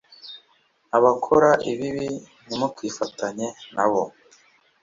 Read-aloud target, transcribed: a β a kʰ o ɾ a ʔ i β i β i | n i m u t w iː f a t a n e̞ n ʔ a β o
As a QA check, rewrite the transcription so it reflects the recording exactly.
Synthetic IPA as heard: a β a kʰ o ɾ a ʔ i β i β i | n i m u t w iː f a t a ɲ e̞ n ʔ a β o

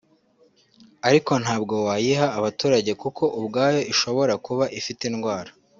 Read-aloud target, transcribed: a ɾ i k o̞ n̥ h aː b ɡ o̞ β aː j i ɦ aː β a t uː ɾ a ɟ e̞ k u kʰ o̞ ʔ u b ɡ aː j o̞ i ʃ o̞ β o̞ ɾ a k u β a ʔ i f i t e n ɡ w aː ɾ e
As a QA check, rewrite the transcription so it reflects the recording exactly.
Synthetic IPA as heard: a ɾ i k o̞ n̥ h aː b ɡ o̞ w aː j i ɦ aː β a t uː ɾ a ɟ e̞ k u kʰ o̞ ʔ u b ɡ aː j o̞ i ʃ o̞ β o̞ ɾ a k u β a ʔ i f i t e n ɡ w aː ɾ a

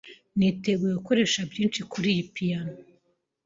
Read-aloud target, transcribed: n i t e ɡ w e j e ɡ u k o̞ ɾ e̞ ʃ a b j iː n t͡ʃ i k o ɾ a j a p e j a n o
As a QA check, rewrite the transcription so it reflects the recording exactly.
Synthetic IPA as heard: n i t e ɡ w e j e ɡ u k o̞ ɾ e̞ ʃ a b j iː n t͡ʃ i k u ɾ i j i p i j a n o

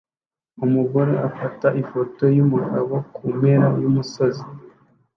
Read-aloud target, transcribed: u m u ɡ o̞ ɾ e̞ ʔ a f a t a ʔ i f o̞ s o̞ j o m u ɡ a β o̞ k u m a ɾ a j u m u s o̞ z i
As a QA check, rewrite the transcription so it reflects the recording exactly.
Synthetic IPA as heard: u m u ɡ o̞ ɾ e̞ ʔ a f a t a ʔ i f o̞ t o̞ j u m u ɡ a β o̞ k u m e ɾ a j u m u s o̞ z i

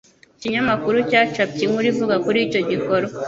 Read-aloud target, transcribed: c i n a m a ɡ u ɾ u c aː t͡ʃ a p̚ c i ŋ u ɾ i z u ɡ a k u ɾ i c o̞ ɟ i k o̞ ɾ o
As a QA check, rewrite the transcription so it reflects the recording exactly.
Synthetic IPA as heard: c i ɲ a m a k u ɾ u c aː t͡ʃ a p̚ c i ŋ u ɾ i v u ɡ a k u ɾ i c o̞ ɟ i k o̞ ɾ o

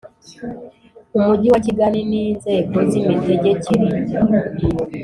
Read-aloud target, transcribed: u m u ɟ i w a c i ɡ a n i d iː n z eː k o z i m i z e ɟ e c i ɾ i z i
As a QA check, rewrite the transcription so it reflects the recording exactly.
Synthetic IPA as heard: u m u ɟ i w a c i ɡ a n i n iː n z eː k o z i m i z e ɟ e c i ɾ i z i

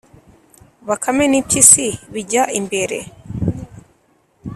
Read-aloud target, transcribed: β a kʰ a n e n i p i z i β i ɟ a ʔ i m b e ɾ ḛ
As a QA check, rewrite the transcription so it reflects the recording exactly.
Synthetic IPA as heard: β a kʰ a m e n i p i s i β i ɟ a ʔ i m b e ɾ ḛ

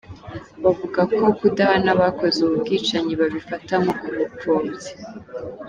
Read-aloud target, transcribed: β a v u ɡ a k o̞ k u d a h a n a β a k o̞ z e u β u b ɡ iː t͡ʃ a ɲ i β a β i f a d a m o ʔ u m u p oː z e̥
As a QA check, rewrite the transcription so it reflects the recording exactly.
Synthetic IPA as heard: β a v u ɡ a k o̞ k u d a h a n a β a k o̞ z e u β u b ɡ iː t͡ʃ a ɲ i β a β i f a t a m o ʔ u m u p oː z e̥

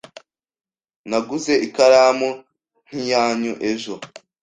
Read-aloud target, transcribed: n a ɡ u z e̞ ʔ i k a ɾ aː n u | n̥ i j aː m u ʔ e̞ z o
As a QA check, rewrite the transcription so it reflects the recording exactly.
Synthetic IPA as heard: n a ɡ u z e̞ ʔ i k a ɾ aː m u | n̥ i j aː ɲ u ʔ e̞ ʒ o

